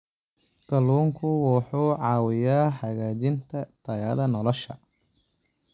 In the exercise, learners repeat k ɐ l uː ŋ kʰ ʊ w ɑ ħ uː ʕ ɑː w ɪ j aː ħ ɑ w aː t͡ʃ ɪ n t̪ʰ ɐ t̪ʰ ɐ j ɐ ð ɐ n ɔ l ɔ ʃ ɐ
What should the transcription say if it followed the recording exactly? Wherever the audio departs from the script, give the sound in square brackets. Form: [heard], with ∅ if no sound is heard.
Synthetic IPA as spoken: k ɐ l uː ŋ kʰ ʊ w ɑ ħ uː ʕ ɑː w ɪ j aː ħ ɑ [ɣ] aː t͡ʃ ɪ n t̪ʰ ɐ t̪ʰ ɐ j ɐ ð ɐ n ɔ l ɔ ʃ ɐ